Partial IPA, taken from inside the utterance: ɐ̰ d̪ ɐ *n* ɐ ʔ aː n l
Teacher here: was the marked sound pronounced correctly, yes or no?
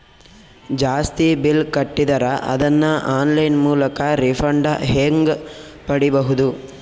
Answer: no